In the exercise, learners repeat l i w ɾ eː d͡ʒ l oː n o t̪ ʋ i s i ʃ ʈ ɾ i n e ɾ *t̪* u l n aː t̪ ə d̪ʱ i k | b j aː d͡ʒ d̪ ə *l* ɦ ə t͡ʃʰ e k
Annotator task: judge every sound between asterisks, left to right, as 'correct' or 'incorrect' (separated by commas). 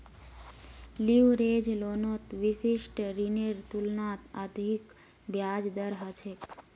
correct, incorrect